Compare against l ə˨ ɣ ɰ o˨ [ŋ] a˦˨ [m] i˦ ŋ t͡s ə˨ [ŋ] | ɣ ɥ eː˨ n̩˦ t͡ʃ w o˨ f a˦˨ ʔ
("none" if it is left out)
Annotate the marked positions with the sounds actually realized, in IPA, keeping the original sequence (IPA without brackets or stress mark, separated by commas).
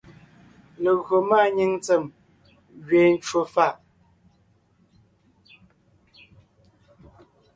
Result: m, ɲ, m